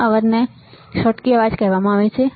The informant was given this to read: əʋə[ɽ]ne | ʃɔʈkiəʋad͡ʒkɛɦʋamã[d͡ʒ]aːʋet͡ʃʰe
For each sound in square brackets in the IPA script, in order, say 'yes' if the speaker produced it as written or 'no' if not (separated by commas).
no, no